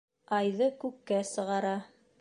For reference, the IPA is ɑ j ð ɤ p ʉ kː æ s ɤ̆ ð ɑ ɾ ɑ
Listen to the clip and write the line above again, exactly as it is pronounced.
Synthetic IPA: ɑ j ð ɤ k ʉ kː æ s ɤ̆ ʁ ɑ ɾ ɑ